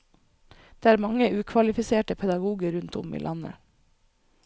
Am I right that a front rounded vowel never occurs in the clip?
yes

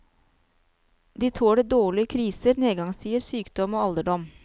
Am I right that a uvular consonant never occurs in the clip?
yes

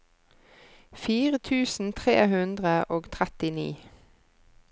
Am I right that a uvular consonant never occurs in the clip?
no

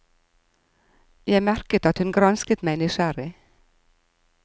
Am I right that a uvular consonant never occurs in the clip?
yes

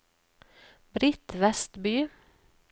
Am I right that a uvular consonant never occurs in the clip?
yes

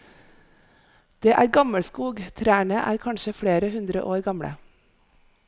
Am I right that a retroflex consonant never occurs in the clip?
no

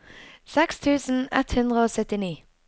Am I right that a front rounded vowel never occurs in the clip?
no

